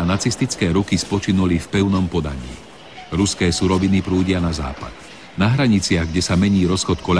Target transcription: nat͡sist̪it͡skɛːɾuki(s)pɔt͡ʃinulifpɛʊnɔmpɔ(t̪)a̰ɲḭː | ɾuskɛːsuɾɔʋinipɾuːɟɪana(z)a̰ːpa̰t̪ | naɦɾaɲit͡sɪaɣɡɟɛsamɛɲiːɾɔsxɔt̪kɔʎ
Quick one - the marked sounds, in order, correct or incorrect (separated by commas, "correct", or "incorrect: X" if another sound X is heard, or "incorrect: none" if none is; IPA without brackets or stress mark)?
correct, incorrect: d̪, correct